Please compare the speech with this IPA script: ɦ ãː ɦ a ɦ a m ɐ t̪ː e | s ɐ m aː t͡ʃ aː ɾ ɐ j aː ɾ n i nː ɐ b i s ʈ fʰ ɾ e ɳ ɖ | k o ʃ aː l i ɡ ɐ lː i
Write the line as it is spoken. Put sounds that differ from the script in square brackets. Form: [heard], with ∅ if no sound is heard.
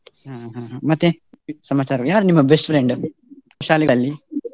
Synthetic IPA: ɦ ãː ɦ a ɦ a m ɐ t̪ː e | s ɐ m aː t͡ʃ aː ɾ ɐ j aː ɾ n i [mː] ɐ b [e] s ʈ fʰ ɾ e ɳ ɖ | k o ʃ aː l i ɡ ɐ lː i